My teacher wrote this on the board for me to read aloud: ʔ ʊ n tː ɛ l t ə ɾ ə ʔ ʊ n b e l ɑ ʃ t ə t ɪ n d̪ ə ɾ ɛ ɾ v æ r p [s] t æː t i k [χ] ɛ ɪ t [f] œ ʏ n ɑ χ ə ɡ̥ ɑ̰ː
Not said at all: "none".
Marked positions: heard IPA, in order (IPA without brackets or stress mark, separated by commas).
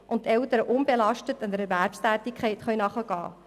s, χ, χ